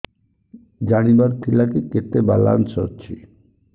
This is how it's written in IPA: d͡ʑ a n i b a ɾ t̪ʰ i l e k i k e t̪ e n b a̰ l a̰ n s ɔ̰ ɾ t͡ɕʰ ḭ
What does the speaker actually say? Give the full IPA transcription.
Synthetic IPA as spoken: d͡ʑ a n i b a ɾ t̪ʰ i l a k i k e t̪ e b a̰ l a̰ n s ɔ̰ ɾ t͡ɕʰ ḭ